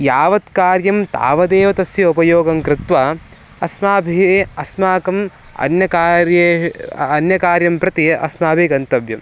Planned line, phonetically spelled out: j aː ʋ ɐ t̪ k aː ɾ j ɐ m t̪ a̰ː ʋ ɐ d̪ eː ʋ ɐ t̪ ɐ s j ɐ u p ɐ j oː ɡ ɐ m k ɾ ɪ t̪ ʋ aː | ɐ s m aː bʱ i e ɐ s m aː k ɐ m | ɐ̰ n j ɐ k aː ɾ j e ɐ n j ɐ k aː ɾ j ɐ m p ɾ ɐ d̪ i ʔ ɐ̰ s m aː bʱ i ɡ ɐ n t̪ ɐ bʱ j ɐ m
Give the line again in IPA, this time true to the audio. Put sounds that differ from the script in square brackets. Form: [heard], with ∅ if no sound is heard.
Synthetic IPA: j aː ʋ ɐ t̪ k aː ɾ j ɐ m t̪ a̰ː ʋ ɐ d̪ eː ʋ ɐ t̪ ɐ s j ɐ u p ɐ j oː ɡ ɐ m k ɾ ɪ t̪ ʋ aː | ɐ s m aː bʱ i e ɐ s m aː k ɐ m | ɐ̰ n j ɐ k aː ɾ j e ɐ n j ɐ k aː ɾ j ɐ m p ɾ ɐ [t̪] i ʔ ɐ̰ s m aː bʱ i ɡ ɐ n t̪ ɐ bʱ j ɐ m